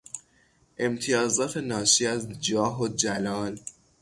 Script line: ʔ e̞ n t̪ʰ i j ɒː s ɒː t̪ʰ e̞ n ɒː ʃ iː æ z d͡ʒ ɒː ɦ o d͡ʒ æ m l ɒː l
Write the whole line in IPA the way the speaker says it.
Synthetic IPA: ʔ e̞ m t̪ʰ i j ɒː z ɒː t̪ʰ e̞ n ɒː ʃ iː æ z d͡ʒ ɒː ɦ o d͡ʒ æ l ɒː l